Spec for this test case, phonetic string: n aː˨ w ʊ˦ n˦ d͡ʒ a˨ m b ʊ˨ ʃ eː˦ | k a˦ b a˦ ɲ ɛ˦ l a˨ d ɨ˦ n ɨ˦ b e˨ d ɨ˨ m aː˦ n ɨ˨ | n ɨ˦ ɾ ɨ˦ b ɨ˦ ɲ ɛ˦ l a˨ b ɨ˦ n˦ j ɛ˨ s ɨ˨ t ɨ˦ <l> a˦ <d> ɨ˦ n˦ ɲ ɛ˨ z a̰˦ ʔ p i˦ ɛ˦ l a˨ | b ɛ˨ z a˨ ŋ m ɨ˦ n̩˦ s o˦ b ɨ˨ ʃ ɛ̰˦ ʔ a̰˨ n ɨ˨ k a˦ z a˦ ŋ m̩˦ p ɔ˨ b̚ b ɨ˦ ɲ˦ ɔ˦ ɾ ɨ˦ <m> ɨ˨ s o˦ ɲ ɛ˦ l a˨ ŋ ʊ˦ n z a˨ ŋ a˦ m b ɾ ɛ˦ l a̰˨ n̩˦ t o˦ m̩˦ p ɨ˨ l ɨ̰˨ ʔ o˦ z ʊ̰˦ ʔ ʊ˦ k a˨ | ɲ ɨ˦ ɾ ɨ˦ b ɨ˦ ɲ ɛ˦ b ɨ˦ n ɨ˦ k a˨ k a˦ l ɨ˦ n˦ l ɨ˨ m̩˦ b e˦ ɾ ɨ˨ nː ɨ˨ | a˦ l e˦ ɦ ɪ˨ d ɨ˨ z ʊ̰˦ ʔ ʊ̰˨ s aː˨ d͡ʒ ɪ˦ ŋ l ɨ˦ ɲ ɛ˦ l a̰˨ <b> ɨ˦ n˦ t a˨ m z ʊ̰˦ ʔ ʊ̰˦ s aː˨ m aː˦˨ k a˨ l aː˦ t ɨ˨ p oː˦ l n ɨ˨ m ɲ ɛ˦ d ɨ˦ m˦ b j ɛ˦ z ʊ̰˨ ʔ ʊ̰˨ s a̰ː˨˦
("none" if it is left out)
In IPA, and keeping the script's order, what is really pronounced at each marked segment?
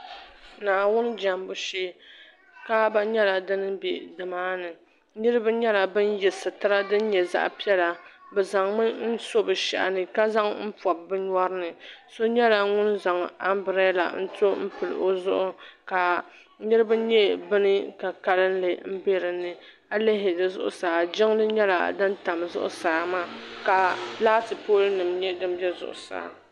ɾ, d, n, d

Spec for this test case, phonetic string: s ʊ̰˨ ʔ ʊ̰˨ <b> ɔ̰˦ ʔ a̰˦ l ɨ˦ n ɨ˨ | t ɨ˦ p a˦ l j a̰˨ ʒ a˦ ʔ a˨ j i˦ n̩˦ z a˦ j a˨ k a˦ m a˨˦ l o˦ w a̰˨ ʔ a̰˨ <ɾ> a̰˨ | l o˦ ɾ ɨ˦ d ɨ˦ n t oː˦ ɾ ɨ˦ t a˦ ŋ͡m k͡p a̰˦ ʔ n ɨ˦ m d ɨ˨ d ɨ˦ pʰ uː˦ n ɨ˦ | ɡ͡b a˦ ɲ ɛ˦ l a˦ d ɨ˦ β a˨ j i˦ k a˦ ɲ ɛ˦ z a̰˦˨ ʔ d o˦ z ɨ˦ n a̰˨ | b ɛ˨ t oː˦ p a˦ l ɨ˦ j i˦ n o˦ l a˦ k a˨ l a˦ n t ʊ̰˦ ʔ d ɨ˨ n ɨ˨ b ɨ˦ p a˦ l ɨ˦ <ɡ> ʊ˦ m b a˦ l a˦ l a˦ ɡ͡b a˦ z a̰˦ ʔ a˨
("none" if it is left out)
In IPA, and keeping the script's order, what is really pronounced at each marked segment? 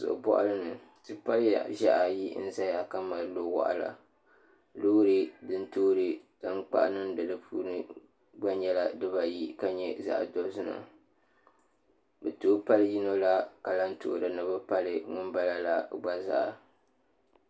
b, l, ŋ

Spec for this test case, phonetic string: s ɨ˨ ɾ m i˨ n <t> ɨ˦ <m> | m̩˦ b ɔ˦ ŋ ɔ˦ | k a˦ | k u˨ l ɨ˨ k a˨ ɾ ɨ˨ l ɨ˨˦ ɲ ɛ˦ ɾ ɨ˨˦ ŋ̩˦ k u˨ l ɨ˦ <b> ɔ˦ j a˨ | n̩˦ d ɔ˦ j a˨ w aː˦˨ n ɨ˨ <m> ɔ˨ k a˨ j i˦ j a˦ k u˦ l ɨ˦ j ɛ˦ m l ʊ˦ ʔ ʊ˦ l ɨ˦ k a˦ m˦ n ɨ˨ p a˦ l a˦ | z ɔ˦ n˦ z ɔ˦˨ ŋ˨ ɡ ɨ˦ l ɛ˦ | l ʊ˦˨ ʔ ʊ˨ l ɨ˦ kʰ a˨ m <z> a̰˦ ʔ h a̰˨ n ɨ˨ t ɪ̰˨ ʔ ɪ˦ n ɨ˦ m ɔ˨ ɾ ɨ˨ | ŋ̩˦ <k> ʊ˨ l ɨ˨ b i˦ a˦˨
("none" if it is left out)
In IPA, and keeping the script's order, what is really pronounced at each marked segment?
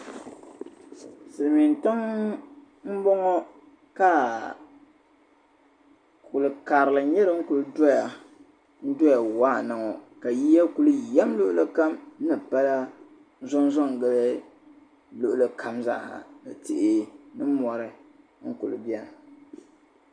t, ŋ, d, ŋ, z, k

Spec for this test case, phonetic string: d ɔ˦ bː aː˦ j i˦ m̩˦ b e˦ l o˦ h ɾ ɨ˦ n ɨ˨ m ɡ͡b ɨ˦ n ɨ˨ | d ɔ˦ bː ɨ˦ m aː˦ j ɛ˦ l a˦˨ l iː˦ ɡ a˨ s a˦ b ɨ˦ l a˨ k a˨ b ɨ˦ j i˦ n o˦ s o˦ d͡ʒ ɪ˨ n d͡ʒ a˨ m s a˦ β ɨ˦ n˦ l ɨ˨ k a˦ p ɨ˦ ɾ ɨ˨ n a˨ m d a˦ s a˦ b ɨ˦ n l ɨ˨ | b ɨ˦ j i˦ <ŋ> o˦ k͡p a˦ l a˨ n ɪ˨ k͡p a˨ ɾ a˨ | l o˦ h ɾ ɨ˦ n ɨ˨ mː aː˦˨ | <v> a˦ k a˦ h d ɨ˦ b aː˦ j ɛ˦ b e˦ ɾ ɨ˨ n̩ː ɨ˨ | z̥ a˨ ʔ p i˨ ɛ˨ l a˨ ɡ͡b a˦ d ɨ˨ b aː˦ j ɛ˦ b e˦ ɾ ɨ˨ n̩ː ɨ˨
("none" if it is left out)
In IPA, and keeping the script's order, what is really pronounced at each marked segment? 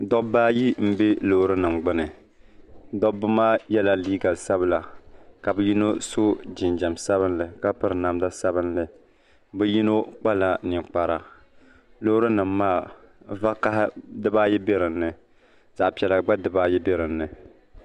n, v

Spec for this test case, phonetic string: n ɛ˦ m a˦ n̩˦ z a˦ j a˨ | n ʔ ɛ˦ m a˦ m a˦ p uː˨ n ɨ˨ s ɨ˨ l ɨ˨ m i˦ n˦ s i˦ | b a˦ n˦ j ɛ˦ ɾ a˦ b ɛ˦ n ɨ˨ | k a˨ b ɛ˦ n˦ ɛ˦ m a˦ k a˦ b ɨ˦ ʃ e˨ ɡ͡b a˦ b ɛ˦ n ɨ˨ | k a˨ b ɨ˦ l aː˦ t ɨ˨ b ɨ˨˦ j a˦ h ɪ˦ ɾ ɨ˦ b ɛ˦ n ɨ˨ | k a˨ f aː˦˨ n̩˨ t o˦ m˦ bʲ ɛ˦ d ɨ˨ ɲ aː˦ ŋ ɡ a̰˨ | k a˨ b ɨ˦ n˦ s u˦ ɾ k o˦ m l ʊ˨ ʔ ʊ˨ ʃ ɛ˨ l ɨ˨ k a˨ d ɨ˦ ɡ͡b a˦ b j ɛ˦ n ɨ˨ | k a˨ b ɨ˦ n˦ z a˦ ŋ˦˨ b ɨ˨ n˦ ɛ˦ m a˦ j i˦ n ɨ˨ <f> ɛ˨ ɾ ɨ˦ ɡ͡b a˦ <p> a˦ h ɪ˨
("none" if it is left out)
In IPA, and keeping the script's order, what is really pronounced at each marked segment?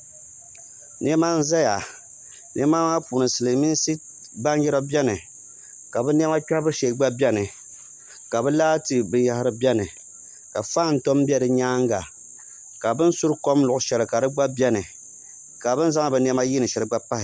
ʃ, p

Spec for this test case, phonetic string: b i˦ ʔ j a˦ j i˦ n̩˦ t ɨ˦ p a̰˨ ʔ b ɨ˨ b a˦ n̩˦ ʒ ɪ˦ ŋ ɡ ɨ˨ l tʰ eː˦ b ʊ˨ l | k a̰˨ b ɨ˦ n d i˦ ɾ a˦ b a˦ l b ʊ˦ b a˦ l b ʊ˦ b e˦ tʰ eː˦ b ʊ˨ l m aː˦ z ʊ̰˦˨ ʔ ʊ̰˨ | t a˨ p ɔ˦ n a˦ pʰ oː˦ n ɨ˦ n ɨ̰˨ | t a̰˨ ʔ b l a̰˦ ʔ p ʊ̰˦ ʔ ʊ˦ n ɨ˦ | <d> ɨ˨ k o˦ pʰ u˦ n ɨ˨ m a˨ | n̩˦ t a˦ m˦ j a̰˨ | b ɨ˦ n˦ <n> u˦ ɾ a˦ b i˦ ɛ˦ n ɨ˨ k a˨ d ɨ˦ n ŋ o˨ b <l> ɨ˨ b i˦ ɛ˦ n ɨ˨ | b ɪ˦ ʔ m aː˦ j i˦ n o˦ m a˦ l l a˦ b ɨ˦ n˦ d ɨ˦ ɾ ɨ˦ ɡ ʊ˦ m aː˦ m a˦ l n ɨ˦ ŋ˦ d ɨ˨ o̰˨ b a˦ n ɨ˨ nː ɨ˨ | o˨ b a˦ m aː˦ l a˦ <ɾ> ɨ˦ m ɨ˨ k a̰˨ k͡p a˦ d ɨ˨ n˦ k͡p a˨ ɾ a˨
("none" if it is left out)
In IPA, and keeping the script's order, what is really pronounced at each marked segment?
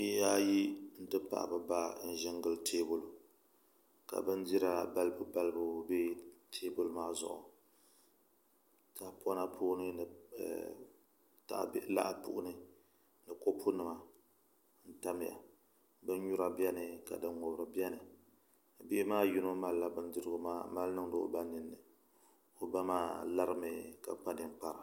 n, ɲ, ɾ, ɾ

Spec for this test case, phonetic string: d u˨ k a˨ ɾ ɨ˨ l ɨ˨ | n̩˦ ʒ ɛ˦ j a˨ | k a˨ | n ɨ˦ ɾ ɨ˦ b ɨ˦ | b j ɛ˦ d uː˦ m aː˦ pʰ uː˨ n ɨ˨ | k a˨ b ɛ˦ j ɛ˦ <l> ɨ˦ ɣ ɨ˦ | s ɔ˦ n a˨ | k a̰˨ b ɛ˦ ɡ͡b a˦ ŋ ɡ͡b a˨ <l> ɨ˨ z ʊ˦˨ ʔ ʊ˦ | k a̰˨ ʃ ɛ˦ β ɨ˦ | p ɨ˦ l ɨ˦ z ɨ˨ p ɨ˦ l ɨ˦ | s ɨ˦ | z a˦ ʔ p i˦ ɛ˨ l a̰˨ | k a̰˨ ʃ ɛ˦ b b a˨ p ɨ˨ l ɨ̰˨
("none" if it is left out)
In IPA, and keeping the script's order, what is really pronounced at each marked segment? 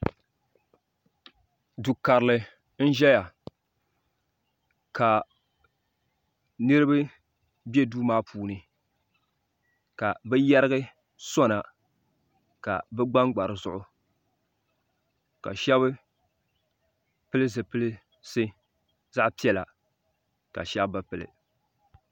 ɾ, ɾ

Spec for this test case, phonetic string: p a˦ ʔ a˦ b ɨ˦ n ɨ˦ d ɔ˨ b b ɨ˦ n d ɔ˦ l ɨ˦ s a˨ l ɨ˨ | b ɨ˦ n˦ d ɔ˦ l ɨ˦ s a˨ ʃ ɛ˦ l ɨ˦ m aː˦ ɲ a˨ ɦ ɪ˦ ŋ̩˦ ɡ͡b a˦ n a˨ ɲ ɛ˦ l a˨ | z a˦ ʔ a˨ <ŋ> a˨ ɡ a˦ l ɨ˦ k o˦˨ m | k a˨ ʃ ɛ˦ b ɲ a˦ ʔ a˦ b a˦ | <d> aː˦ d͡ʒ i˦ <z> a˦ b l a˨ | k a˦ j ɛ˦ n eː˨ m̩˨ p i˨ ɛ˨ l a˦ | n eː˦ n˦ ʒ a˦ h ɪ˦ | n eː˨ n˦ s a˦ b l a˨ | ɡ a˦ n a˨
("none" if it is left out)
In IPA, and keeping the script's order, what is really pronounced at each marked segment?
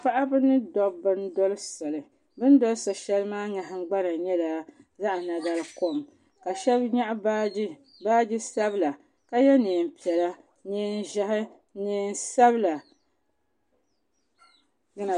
n, b, s

